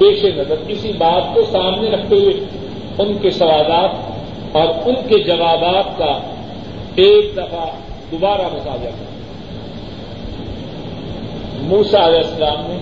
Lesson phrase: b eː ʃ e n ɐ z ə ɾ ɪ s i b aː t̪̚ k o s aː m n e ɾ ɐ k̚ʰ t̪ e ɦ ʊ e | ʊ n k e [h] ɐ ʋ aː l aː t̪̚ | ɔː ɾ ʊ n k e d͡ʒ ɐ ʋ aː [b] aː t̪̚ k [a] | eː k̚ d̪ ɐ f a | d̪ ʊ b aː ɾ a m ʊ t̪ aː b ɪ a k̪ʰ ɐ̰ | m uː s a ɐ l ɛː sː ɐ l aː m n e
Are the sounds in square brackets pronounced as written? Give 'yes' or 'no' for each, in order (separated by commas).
no, yes, yes